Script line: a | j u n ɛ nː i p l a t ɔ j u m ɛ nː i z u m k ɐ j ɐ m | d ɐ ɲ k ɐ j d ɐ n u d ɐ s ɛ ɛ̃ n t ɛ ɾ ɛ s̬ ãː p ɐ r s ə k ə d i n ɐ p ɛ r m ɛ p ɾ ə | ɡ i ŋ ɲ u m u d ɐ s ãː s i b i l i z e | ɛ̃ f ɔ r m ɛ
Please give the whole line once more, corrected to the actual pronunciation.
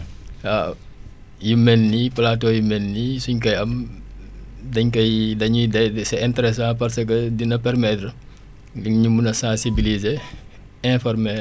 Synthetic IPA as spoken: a | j u m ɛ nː i p l a t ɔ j u m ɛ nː i s u ɲ k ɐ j ɐ m | d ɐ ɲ k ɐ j d ɐ ɲ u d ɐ s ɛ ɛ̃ n t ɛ ɾ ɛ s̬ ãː p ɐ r s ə k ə d i n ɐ p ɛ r m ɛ t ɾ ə | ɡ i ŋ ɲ u m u n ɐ s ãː s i b i l i z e | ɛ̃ f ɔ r m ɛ